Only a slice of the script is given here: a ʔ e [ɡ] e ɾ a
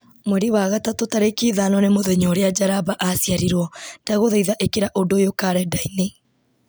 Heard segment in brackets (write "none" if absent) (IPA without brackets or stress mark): k